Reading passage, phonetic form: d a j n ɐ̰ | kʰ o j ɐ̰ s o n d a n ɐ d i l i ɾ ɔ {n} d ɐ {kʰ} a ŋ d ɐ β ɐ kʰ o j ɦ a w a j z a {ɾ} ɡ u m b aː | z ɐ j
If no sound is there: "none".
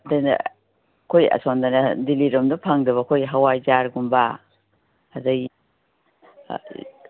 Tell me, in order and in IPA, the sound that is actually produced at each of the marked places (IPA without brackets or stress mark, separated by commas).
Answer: m, pʰ, ɾ